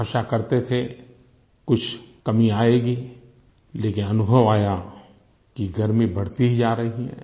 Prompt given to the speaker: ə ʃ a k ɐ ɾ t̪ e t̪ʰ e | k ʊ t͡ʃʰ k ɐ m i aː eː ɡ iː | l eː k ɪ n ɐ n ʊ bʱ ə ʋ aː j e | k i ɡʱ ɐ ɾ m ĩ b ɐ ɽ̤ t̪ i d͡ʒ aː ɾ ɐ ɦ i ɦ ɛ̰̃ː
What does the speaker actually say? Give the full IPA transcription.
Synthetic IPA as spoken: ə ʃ a k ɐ ɾ t̪ e t̪ʰ e | k ʊ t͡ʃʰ k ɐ m i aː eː ɡ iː | l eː k ɪ n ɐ n ʊ bʱ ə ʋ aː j a | k i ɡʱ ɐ ɾ m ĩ b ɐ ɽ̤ t̪ i d͡ʒ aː ɾ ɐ ɦ i ɦ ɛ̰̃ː

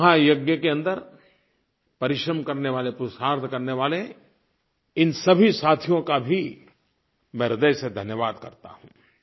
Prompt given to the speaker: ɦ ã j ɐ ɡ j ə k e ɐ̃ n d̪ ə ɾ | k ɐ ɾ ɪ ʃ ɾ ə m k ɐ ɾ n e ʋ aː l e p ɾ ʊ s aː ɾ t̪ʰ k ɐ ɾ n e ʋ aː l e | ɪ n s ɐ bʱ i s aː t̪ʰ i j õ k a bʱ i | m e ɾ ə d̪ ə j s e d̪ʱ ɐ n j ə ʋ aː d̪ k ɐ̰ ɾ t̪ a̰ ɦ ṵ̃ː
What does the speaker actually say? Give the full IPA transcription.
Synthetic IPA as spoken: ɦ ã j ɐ ɡ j ə k e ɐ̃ n d̪ ə ɾ | p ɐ ɾ ɪ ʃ ɾ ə m k ɐ ɾ n e ʋ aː l e p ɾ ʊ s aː ɾ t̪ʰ k ɐ ɾ n e ʋ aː l e | ɪ n s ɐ bʱ i s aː t̪ʰ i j õ k a bʱ i | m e ɾ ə d̪ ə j s e d̪ʱ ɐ n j ə ʋ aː d̪ k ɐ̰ ɾ t̪ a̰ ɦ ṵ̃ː

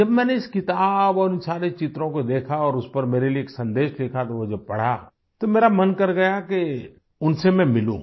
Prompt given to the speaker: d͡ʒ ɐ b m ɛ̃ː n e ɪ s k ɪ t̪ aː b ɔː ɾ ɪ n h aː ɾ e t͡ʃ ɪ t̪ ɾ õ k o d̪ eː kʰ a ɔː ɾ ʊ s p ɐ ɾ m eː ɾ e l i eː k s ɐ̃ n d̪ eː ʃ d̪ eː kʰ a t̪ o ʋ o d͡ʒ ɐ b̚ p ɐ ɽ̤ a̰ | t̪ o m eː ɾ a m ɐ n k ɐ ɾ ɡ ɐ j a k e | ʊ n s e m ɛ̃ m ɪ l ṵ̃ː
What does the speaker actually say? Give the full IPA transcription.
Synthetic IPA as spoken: d͡ʒ ɐ b m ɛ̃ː n e ɪ s k ɪ t̪ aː b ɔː ɾ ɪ n s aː ɾ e t͡ʃ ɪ t̪ ɾ õ k o d̪ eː kʰ a ɔː ɾ ʊ s p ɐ ɾ m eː ɾ e l i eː k s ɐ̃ n d̪ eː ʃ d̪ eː kʰ a t̪ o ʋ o d͡ʒ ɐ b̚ p ɐ ɽ̤ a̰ | t̪ o m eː ɾ a m ɐ n k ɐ ɾ ɡ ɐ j a k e | ʊ n s e m ɛ̃ m ɪ l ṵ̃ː

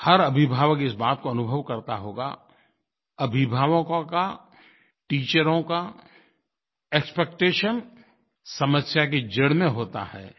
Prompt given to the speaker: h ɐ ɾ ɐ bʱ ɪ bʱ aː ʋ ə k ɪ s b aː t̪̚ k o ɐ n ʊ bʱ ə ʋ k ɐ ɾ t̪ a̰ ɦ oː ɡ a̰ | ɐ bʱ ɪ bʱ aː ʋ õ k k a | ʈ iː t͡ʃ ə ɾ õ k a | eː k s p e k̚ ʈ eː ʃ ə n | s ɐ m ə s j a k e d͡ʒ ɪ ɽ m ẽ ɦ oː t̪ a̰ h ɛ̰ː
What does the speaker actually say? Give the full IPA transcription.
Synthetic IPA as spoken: h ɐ ɾ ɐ bʱ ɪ bʱ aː ʋ ə k ɪ s b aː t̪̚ k o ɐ n ʊ bʱ ə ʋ k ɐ ɾ t̪ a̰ ɦ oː ɡ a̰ | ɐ bʱ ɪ bʱ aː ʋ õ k k a | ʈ iː t͡ʃ ə ɾ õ k a | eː k s p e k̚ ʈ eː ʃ ə n | s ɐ m ə s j a k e d͡ʒ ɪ ɽ m ẽ ɦ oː t̪ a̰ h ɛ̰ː

